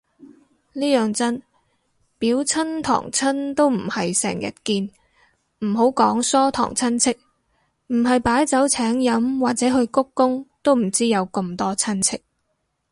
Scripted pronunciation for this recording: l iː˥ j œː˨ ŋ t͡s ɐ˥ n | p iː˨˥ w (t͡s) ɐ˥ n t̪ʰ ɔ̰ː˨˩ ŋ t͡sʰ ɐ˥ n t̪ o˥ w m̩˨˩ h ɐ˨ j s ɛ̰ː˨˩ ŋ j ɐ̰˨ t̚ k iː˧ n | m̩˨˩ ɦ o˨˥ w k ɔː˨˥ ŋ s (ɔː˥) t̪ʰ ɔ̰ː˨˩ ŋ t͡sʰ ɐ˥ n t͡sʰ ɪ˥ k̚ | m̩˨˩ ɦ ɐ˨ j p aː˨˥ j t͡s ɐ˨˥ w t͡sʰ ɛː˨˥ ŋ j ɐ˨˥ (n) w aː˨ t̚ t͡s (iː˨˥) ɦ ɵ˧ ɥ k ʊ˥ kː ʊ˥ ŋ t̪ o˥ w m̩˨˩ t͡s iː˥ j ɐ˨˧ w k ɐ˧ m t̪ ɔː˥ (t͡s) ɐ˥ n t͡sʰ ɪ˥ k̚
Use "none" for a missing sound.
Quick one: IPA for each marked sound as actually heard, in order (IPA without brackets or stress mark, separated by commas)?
t͡sʰ, ɔː˥, m, ɛː˨˥, t͡sʰ